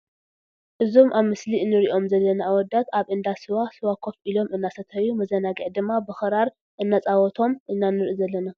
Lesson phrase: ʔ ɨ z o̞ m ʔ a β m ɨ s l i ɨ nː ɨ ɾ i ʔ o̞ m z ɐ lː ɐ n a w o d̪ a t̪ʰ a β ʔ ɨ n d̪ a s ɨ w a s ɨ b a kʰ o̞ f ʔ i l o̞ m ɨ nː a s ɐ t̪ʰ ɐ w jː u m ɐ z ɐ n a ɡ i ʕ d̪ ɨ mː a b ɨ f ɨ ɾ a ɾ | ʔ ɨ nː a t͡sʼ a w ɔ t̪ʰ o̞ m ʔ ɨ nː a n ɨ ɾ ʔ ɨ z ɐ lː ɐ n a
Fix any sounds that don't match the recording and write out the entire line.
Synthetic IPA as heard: ʔ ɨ z o̞ m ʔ a β m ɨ s l i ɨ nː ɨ ɾ i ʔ o̞ m z ɐ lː ɐ n a w ɔ d̪ a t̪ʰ a β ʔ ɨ n d̪ a s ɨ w a s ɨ w a kʰ o̞ f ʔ i l o̞ m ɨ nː a s ɐ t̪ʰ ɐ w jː u m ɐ z ɐ n a ɡ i ʕ d̪ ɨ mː a b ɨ x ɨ ɾ a ɾ | ʔ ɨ nː a t͡sʼ a w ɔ t̪ʰ o̞ m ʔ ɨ nː a n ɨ ɾ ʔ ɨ z ɐ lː ɐ n a

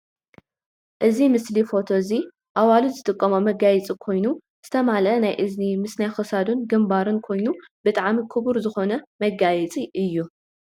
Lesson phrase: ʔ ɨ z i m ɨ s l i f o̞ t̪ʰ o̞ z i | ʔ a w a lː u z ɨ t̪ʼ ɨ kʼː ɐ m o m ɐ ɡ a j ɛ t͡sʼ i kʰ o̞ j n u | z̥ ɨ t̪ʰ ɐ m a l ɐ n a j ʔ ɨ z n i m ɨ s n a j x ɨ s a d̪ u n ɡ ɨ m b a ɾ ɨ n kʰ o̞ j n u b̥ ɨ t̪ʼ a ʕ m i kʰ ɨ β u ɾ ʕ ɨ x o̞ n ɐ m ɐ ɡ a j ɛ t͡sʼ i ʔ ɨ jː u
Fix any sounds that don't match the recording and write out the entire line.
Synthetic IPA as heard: ʔ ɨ z i m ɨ s l i f o̞ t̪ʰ o̞ z i | ʔ a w a l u z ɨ t̪ʼ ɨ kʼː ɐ m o m ɐ ɡ a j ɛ t͡sʼ i kʰ o̞ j n u | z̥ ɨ t̪ʰ ɐ m a l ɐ n a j ʔ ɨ z n i m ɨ s n a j x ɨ s a d̪ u n ɡ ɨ m b a ɾ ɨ n kʰ o̞ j n u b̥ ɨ t̪ʼ a ʕ m i kʰ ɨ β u ɾ z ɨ x o̞ n ɐ m ɐ ɡ a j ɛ t͡sʼ i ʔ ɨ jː u

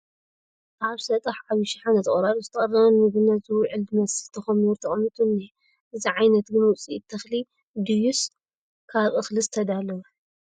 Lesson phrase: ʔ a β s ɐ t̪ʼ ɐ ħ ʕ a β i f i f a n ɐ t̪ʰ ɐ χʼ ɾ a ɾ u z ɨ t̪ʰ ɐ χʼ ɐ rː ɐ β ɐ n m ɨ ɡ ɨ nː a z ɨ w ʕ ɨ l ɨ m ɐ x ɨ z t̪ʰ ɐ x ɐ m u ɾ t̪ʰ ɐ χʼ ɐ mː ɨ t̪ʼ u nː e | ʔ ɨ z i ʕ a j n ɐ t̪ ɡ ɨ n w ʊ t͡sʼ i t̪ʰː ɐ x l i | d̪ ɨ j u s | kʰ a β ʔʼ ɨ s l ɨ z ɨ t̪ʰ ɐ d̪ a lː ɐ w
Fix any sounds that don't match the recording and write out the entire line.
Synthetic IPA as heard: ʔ a β s ɐ t̪ʼ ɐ ħ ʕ a β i ʃ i ħ a n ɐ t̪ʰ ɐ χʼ ɾ a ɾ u z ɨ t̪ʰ ɐ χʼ ɐ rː ɐ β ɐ n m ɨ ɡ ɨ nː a z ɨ w ʕ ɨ l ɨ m ɐ s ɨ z t̪ʰ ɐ x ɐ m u ɾ t̪ʰ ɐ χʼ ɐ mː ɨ t̪ʼ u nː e | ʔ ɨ z i ʕ a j n ɐ t̪ ɡ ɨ n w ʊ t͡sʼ i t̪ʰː ɐ x l i | d̪ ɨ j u s | kʰ a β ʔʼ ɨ x l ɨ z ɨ t̪ʰ ɐ d̪ a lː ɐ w

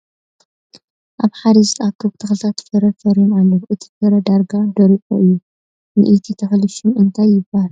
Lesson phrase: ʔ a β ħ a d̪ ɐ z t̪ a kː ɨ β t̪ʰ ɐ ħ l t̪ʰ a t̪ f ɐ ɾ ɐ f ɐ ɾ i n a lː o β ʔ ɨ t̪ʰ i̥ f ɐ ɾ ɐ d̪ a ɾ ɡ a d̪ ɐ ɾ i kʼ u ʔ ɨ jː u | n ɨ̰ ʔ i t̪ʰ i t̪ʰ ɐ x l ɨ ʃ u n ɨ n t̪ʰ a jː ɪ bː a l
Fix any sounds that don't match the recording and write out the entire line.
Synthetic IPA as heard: ʔ a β ħ a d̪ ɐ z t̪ a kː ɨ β t̪ʰ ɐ x l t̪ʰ a t̪ f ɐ ɾ ɐ f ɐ ɾ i n a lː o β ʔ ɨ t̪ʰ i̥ f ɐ ɾ ɐ d̪ a ɾ ɡ a d̪ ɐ ɾ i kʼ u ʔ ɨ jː u | n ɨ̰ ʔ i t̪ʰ i t̪ʰ ɐ x l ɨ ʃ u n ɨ n t̪ʰ a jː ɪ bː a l

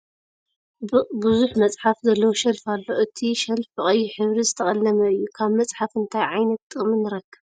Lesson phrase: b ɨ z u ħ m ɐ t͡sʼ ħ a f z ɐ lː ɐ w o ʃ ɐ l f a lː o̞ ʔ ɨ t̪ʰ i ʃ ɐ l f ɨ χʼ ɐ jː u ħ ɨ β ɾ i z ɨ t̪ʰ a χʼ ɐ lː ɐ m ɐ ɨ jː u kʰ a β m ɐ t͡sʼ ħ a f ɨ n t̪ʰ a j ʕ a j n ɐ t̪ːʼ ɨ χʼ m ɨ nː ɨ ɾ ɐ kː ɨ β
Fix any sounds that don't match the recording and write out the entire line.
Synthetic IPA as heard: b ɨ z u ħ m ɐ t͡sʼ ħ a f z ɐ lː ɐ w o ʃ ɐ l f a lː o̞ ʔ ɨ t̪ʰ i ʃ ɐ l f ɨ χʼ ɐ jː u ħ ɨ β ɾ i z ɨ t̪ʰ ɐ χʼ ɐ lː ɐ m ɐ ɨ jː u kʰ a β m ɐ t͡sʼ ħ a f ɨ n t̪ʰ a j ʕ a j n ɐ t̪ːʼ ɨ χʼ m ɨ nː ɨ ɾ ɐ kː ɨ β

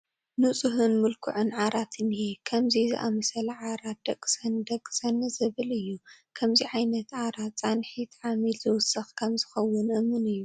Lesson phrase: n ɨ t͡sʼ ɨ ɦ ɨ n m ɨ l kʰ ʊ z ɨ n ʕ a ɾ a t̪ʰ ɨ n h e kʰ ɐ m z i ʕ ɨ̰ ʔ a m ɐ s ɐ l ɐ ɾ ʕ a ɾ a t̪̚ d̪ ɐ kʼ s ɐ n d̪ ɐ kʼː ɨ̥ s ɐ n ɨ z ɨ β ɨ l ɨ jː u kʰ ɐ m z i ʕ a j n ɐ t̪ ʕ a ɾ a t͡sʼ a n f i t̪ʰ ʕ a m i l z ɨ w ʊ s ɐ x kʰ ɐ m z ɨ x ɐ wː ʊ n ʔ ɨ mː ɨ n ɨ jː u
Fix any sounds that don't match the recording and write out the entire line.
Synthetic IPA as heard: n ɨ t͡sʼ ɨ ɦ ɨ n m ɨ l kʰ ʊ ʕ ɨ n ʕ a ɾ a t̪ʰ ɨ n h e kʰ ɐ m z i z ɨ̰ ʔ a m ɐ s ɐ l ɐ ʕ a ɾ a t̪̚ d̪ ɐ kʼ s ɐ n d̪ ɐ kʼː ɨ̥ s ɐ n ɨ z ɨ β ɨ l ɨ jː u kʰ ɐ m z i ʕ a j n ɐ t̪ ʕ a ɾ a t͡sʼ a n ħ i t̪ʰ ʕ a m i l z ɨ w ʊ s ɐ x kʰ ɐ m z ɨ x ɐ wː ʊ n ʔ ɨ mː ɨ n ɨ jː u

